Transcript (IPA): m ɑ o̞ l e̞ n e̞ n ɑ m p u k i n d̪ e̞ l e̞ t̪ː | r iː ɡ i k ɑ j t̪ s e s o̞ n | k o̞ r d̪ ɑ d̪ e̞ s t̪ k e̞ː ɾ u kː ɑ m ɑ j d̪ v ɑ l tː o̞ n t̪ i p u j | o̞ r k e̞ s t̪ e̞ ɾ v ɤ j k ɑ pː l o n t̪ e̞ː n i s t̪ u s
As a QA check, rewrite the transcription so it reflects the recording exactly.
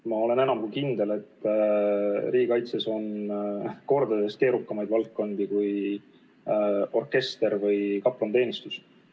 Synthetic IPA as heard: m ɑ o̞ l e̞ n e̞ n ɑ m k u k i n d̪ e̞ l e̞ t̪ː | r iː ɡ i k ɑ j t̪ s e s o̞ n | k o̞ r d̪ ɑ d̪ e̞ s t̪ k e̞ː ɾ u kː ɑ m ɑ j d̪ v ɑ l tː o̞ n d̪ i k u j | o̞ r k e̞ s t̪ e̞ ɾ v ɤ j k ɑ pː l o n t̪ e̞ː n i s t̪ u s